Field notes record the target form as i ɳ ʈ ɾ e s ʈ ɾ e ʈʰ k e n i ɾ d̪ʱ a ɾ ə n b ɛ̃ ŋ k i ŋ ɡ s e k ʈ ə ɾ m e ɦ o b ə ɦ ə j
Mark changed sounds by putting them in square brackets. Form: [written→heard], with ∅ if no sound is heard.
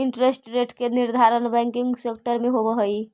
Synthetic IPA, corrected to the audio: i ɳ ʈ ɾ e s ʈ ɾ e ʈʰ k e n i ɾ d̪ʱ a ɾ ə n b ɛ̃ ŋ k i ŋ ɡ s e k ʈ ə ɾ m e ɦ o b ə ɦ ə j